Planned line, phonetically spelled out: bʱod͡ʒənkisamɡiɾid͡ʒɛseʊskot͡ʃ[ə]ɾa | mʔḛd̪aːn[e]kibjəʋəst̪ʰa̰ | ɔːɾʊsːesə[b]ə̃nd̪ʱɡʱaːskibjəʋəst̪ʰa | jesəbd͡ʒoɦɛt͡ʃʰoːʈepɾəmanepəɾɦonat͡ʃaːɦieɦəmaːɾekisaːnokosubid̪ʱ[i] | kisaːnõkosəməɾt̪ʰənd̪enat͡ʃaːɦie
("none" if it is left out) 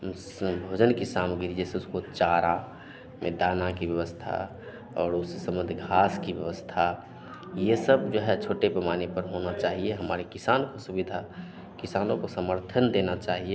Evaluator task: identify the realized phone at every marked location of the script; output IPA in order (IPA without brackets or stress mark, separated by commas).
a, a, m, a